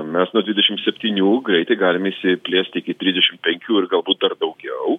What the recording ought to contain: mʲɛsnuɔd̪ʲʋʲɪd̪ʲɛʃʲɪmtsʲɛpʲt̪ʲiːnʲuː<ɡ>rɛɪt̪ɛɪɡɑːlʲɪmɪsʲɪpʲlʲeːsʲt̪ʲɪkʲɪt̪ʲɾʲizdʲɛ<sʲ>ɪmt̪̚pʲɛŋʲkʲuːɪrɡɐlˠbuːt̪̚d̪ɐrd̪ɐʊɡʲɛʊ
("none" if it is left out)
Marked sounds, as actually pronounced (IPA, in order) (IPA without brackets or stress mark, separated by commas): ɡ, ʃʲ